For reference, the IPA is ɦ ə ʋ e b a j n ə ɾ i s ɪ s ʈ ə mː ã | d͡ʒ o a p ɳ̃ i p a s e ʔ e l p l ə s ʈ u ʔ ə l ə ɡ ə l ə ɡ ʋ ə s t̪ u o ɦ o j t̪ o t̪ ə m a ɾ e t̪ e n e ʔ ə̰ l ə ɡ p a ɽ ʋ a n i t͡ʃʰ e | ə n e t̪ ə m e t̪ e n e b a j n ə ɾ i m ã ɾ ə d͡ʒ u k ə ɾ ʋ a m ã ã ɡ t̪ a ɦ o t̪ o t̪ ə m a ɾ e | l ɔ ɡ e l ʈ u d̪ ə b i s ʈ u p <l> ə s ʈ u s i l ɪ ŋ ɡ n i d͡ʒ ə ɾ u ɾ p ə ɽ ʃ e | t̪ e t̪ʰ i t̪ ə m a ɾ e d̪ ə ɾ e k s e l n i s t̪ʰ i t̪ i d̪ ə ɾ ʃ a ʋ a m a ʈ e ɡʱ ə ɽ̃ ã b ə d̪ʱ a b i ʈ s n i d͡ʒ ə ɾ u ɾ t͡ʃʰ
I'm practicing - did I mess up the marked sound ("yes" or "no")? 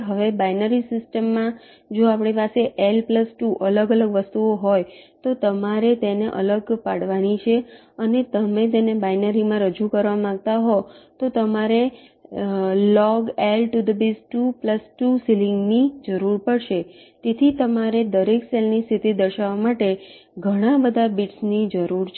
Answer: no